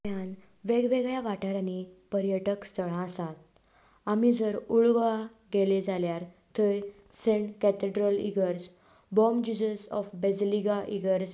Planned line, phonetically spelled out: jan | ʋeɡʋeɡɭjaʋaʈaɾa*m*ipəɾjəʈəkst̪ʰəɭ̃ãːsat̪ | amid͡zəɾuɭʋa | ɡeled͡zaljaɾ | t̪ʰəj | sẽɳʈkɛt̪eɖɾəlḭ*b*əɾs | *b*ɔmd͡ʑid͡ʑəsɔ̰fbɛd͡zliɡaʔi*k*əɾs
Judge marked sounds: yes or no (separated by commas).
no, no, yes, no